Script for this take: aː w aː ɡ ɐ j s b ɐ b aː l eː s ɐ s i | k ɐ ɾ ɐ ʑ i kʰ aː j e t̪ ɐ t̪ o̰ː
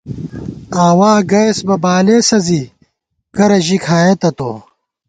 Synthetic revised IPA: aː w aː ɡ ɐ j s b ɐ b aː l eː s ɐ z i | k ɐ ɾ ɐ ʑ i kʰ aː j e t̪ ɐ t̪ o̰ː